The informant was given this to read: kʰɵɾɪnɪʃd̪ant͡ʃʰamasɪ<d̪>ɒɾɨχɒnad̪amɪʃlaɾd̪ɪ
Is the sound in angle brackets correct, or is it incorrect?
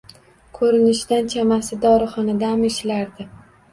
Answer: correct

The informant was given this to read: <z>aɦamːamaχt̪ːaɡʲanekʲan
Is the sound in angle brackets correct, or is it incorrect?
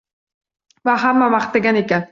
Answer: incorrect: v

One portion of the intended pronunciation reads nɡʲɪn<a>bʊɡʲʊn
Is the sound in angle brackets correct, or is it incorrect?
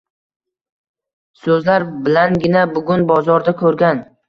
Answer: correct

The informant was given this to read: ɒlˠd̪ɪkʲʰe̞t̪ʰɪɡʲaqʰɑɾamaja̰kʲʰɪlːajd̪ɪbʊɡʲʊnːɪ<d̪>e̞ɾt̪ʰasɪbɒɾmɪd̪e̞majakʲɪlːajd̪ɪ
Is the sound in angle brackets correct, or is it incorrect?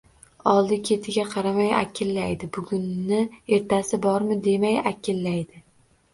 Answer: incorrect: none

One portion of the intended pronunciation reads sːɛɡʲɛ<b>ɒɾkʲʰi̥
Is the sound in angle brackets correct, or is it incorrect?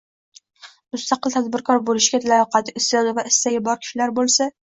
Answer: correct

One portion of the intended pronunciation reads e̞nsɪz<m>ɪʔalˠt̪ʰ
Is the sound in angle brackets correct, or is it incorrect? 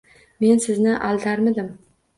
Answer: incorrect: n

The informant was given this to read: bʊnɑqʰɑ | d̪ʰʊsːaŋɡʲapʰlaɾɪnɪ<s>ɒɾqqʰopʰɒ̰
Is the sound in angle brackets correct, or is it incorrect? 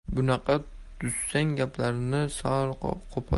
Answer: correct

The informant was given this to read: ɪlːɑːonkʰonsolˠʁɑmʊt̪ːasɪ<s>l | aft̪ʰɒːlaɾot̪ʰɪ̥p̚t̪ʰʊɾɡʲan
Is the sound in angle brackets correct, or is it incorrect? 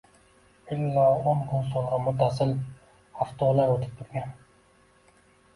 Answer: incorrect: none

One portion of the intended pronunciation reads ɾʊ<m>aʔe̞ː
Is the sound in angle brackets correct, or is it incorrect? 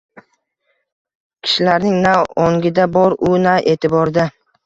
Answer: incorrect: n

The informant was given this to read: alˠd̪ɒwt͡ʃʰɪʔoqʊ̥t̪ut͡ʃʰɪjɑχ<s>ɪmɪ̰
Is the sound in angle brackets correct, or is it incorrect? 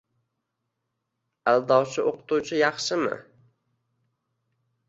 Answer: incorrect: ʃ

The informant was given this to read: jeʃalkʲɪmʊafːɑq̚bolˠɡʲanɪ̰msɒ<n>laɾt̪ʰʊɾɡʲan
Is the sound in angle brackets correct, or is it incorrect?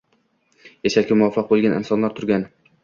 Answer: correct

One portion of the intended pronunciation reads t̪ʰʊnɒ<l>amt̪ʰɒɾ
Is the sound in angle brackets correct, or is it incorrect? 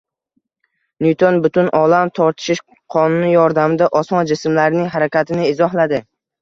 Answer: correct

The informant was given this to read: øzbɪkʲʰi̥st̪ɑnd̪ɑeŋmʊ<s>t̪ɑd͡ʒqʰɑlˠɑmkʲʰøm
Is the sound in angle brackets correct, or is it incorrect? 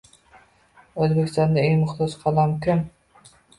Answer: incorrect: χ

